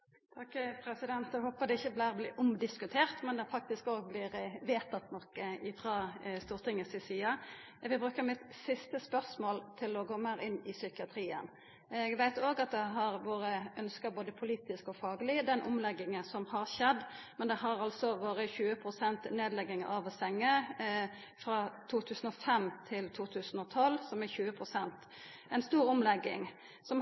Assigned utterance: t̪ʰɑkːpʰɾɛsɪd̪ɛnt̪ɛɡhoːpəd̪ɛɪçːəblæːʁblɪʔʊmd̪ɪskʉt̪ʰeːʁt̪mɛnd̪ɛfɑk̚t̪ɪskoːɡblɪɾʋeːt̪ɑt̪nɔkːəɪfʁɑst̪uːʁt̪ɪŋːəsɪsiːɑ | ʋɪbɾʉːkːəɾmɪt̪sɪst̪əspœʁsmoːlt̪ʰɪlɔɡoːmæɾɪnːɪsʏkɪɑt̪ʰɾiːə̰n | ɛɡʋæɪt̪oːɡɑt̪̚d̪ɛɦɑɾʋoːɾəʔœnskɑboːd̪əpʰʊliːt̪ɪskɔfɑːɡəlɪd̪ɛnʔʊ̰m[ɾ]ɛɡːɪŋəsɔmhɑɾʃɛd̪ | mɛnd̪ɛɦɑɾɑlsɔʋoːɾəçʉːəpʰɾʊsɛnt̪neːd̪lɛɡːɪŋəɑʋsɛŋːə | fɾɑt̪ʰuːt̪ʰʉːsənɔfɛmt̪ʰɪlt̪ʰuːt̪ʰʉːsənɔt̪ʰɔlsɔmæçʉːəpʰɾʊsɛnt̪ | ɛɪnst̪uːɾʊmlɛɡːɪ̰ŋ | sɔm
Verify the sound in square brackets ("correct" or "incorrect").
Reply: incorrect